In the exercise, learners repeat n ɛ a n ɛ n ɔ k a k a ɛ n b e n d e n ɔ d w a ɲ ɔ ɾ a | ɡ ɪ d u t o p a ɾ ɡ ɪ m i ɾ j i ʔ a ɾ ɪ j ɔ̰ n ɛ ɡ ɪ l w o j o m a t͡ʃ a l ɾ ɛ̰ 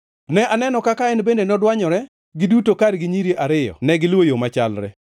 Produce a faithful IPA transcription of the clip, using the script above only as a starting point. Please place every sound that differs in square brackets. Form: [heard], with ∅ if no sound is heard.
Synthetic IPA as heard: n ɛ a n ɛ n ɔ k a k a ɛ n b e n d e n ɔ d w a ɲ ɔ ɾ [ɛ] | ɡ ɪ d u t o [k] a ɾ ɡ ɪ [ɲ] i ɾ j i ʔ a ɾ ɪ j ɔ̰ n ɛ ɡ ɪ l w o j o m a t͡ʃ a l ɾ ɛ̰